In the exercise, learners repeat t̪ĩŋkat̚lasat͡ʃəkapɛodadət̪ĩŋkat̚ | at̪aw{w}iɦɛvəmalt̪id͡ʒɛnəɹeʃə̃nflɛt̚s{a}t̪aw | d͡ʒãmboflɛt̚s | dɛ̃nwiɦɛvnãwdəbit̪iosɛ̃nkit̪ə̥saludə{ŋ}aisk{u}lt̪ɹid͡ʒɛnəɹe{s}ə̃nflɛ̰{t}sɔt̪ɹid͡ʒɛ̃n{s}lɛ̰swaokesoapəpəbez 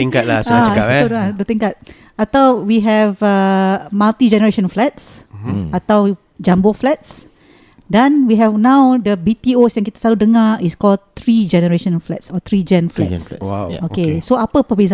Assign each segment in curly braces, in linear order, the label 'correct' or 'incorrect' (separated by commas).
correct, correct, correct, incorrect, incorrect, correct, incorrect